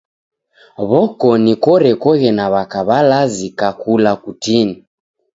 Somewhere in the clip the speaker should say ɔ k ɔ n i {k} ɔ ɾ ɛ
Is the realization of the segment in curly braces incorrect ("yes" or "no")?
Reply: no